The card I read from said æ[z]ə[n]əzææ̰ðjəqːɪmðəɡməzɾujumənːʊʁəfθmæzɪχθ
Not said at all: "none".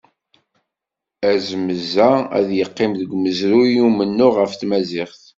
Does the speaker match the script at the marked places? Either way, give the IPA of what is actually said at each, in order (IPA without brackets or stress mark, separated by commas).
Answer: z, m